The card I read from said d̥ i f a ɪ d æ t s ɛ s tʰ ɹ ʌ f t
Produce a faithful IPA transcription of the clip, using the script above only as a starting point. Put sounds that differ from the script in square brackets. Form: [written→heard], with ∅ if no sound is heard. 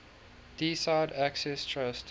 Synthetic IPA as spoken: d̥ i [f→s] a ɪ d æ [t→k] s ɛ s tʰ ɹ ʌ [f→s] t